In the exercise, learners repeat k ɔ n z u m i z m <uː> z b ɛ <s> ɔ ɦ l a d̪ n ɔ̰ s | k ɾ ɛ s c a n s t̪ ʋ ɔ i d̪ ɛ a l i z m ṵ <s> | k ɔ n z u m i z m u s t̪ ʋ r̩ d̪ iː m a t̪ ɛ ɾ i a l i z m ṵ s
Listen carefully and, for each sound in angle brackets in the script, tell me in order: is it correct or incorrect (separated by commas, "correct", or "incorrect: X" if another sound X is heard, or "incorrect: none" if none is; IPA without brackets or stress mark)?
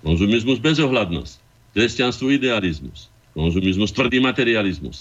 incorrect: u, incorrect: z, correct